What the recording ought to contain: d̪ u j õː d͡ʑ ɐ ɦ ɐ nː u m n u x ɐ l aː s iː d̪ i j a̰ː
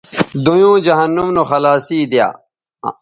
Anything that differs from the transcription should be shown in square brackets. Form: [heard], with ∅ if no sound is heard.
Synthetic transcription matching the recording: d̪ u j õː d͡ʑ ɐ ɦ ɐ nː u m n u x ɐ l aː s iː d̪ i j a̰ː